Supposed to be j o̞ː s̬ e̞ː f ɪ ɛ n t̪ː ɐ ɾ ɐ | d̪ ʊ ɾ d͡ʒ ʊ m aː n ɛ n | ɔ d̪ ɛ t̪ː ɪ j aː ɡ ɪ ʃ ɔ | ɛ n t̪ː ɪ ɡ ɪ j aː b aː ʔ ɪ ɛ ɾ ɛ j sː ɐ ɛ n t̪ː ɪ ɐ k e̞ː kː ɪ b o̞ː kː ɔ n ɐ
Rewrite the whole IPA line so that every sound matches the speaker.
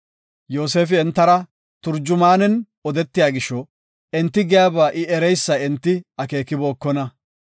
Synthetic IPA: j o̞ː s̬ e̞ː f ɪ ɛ n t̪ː ɐ ɾ ɐ | t̪ ʊ ɾ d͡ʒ ʊ m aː n ɛ n | ɔ d̪ ɛ t̪ː ɪ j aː ɡ ɪ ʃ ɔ | ɛ n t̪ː ɪ ɡ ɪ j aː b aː ʔ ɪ ɛ ɾ ɛ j sː ɐ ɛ n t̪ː ɪ ɐ k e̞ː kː ɪ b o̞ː kː ɔ n ɐ